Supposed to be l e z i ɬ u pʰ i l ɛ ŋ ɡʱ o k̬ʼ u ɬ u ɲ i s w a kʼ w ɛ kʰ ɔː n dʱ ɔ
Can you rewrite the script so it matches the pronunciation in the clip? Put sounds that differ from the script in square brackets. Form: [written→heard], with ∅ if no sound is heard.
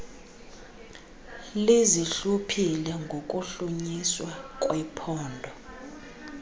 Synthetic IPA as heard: l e z i ɬ u pʰ i l ɛ ŋ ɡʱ o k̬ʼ u ɬ u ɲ i s w a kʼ w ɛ [kʰ→pʰ] ɔː n dʱ ɔ